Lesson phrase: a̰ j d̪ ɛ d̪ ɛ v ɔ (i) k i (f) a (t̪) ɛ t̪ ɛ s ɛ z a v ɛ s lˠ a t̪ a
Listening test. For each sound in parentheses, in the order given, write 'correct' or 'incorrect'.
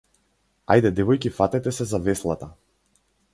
incorrect, correct, correct

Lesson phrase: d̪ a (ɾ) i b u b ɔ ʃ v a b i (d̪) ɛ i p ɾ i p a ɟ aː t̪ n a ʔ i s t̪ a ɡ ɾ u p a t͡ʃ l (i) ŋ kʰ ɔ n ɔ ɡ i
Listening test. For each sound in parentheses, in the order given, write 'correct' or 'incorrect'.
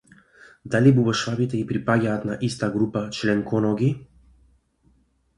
incorrect, incorrect, incorrect

